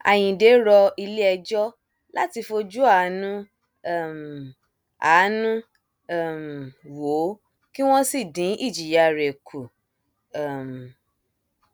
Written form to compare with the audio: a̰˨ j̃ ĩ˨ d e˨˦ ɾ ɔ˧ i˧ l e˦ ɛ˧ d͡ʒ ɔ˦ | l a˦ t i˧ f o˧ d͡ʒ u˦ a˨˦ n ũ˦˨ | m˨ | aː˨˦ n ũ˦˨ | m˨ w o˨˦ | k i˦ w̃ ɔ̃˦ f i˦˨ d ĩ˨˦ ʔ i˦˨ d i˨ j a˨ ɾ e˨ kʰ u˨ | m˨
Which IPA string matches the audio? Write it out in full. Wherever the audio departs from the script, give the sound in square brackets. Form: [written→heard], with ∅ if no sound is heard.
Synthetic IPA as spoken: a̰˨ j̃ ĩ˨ d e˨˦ ɾ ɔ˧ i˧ l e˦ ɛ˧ d͡ʒ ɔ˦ | l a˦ t i˧ f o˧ d͡ʒ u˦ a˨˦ n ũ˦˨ | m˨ | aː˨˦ n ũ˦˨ | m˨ w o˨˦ | k i˦ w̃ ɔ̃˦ [f→s] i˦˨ d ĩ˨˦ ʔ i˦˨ [d→d͡ʒ] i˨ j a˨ ɾ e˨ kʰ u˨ | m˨